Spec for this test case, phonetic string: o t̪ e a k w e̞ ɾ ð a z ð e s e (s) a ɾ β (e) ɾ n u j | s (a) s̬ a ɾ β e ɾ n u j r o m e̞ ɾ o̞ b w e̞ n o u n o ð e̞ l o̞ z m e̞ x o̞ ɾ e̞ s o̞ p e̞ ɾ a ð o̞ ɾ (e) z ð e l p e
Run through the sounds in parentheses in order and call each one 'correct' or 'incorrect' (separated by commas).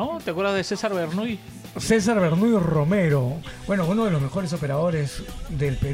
correct, correct, incorrect, correct